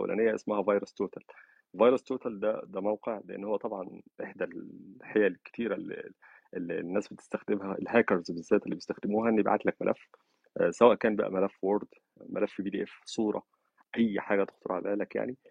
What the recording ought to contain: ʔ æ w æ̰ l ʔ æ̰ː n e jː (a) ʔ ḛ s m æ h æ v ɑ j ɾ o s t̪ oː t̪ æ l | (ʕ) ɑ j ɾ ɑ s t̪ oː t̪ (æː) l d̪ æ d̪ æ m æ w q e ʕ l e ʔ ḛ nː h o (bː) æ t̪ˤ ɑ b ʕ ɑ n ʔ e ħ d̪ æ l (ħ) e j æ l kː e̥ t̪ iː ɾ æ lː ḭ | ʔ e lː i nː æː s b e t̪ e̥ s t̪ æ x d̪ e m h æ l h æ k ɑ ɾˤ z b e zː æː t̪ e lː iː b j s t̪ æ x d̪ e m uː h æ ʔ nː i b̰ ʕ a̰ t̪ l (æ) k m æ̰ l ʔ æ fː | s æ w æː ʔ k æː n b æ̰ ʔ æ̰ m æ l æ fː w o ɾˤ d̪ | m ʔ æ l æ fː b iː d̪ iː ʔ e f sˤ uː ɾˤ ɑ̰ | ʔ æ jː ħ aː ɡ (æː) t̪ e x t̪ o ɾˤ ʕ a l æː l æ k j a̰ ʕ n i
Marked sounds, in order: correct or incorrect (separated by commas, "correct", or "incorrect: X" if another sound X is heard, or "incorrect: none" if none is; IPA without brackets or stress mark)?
incorrect: æ, incorrect: v, incorrect: æ, incorrect: wː, correct, correct, incorrect: æ